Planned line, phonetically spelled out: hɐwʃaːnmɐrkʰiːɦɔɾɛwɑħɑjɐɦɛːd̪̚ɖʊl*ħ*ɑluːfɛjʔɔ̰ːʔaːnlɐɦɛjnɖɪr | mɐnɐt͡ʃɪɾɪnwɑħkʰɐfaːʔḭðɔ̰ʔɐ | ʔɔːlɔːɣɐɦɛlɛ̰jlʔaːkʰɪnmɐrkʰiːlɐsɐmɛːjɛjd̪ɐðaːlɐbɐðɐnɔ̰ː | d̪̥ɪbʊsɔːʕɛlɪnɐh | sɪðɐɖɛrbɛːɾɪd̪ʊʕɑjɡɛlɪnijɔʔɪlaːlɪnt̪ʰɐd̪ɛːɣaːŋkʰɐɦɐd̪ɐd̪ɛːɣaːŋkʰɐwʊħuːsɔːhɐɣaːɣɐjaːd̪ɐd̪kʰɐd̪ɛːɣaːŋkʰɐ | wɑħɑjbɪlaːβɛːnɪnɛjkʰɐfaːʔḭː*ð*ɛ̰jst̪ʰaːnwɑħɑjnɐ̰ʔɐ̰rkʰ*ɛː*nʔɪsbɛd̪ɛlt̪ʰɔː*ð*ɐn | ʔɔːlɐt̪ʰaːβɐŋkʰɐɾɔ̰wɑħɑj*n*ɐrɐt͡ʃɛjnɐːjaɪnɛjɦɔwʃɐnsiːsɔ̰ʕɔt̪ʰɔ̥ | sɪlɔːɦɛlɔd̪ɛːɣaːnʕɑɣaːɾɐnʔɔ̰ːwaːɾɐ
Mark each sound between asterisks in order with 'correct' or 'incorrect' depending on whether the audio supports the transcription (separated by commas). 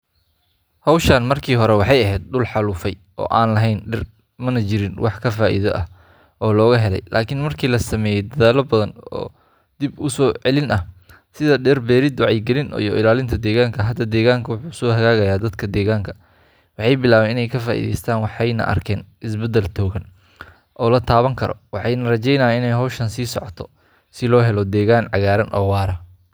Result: correct, correct, correct, incorrect, correct